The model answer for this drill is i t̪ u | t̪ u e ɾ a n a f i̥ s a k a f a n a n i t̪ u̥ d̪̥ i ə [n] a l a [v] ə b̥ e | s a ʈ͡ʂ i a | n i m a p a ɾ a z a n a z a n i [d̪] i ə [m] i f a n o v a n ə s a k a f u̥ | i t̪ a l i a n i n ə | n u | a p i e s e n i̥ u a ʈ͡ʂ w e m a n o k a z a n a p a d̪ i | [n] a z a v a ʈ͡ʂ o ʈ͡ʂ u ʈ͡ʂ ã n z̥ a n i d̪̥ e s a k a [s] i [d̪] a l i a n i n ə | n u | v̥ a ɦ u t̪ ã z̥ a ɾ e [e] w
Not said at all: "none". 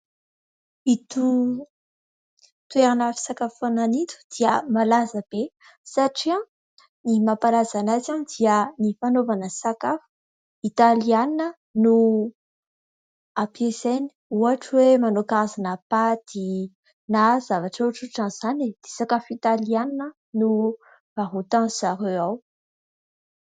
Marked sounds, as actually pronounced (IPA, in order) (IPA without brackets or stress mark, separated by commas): m, z, d̪, n, n, f, t̪, a